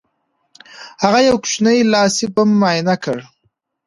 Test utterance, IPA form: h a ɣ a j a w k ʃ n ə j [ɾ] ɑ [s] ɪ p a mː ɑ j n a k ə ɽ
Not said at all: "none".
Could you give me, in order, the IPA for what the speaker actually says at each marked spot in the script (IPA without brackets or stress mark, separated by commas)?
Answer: l, s